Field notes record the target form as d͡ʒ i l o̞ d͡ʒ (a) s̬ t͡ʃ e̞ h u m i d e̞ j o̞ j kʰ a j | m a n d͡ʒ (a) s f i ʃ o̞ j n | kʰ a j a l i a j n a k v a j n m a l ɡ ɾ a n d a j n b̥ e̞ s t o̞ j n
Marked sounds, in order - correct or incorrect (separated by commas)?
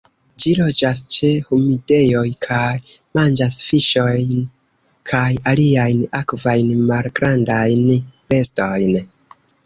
correct, correct